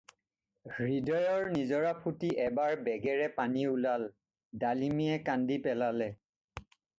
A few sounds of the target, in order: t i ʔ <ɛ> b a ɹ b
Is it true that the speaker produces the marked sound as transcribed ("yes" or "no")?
yes